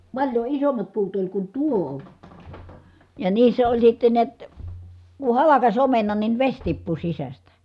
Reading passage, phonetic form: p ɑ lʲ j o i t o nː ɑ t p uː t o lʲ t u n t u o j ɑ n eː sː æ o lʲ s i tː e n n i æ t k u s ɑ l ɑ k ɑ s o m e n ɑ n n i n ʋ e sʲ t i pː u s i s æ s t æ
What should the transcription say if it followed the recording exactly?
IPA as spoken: p ɑ lʲ j o i s o mː ɑ t p uː t o lʲ k u n t u o j ɑ n iː sː æ o lʲ s i tː e n n i æ t k u h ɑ l ɑ k ɑ s o m e n ɑ n n i n ʋ e sʲ t i pː u s i s æ s t æ

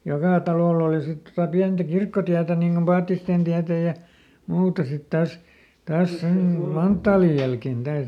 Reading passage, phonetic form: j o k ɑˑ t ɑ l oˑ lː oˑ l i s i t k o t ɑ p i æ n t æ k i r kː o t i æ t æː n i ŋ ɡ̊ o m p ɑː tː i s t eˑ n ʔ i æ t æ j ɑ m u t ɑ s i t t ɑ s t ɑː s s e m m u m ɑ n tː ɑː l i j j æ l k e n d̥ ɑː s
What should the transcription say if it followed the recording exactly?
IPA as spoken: j o k ɑˑ t ɑ l oˑ lː oˑ l i s i t t o t ɑ p i æ n t æ k i r kː o t i æ t æ n i ŋ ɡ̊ o m p ɑː tː i s t eˑ n t i æ t æ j ɑ m uː t ɑ s i t t ɑ s t ɑː s s e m m u m ɑ n tː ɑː l i j j æ l k e n d̥ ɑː s

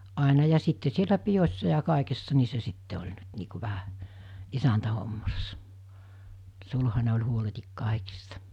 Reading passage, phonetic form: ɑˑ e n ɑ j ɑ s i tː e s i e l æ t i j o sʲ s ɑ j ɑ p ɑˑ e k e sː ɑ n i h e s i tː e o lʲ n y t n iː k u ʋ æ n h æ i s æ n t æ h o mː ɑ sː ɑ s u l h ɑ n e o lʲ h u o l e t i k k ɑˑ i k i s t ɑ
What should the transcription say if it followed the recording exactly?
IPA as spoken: ɑˑ e n ɑ j ɑ s i tː e s i e l æ p i j o sʲ s ɑ j ɑ k ɑˑ e k e sː ɑ n i s e s i tː e o lʲ n y t n iː k u ʋ æ h æ i s æ n t æ h o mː ɑ sː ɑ s u l h ɑ n e o lʲ h u o l e t i k k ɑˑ i k i s t ɑ

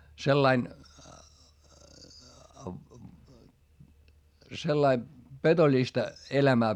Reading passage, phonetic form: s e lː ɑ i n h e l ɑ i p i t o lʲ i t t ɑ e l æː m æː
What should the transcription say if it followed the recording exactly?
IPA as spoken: s e lː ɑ i n s e lː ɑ i p e t o lʲ i s t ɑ e l æ m æː

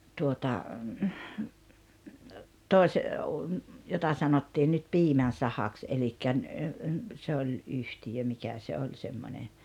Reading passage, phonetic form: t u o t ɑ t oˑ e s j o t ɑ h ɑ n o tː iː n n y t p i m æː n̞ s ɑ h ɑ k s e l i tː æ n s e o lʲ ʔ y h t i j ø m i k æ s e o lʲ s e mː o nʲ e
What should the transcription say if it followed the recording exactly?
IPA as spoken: t u o t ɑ t oˑ e s j o t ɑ s ɑ n o tː iː n n y t p iː m æ n̞ s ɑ h ɑ k s e l i kː æ n s e o lʲ ʔ y h t i j ø m i k æ s e o lʲ s e mː o nʲ e

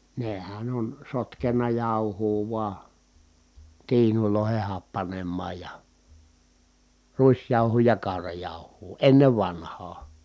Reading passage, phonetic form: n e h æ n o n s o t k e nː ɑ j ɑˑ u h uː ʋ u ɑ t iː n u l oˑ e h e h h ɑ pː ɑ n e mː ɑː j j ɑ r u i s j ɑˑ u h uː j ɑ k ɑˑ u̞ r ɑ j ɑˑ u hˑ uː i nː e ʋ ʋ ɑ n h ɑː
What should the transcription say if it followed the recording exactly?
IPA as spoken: n e h æ n o n s o t k e nː ɑ j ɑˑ u h uː ʋ u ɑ t iː n u l oˑ e h e h h ɑ pː ɑ n e mː ɑː j j ɑ r u i s j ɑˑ u h uː j ɑ k ɑˑ u̞ r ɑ j ɑˑ u hˑ uː e nː e ʋ ʋ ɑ n h ɑː

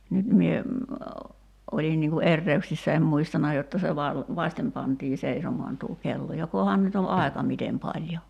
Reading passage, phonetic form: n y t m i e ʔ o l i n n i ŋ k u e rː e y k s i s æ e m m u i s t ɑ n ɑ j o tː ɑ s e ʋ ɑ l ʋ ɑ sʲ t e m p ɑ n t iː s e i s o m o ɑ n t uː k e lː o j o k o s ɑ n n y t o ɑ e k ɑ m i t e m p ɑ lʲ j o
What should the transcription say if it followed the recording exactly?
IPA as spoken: n y t m i e ʔ o l i n n i ŋ k u e rː e y k s i sː æ e m m u i s t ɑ n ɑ j o tː ɑ s e ʋ ɑ l ʋ ɑ sʲ t e m p ɑ n t iː s e i s o m o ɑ n t uː k e lː o j o k o h ɑ n n y t o ɑ e k ɑ m i t e m p ɑ lʲ j o

